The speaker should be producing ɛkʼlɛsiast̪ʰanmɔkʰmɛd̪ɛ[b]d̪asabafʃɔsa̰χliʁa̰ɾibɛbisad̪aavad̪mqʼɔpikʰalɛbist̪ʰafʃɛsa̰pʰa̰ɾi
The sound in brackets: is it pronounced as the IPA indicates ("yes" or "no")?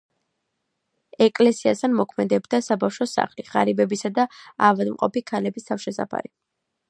yes